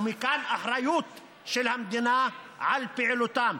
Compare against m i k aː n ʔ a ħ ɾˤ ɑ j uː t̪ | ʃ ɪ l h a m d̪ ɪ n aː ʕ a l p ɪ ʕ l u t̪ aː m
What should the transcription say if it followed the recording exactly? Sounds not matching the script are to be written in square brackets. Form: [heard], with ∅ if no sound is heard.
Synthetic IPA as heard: m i k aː n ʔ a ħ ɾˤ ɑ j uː t̪ | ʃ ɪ l h a m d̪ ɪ n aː ʕ a l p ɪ ʕ l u t̪ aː m